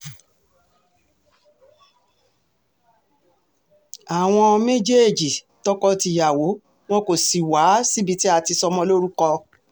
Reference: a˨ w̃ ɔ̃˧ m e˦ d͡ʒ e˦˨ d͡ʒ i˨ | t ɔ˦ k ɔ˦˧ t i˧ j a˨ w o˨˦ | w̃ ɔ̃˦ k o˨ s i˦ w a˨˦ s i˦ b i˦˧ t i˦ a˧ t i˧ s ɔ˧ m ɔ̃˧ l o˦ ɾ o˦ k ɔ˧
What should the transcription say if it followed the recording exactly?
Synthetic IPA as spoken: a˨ w̃ ɔ̃˧ m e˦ d͡ʒ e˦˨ d͡ʒ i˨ | t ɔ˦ k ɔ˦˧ t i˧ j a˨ w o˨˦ | w̃ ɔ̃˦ k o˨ s i˨ w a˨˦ s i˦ b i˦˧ t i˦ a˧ t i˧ s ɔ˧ m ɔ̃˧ l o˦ ɾ u˦ k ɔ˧